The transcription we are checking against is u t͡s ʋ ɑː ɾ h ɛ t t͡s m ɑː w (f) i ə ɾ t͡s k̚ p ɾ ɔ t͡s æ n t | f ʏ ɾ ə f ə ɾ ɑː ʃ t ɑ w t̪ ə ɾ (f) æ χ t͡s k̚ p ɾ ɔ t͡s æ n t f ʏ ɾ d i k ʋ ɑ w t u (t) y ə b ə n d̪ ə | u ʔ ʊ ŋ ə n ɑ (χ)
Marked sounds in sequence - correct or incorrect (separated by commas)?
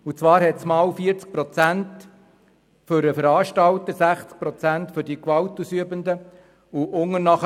correct, incorrect, incorrect, correct